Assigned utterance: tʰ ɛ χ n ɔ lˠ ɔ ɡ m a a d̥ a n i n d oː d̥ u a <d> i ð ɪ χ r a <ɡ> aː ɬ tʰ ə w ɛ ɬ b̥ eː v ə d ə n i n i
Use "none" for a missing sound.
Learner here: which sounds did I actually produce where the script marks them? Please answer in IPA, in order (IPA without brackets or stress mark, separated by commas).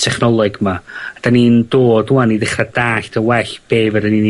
n, d